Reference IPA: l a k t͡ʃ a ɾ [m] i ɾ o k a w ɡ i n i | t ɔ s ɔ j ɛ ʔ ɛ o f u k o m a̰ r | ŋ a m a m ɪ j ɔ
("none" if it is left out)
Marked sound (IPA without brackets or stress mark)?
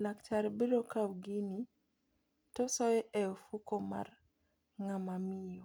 b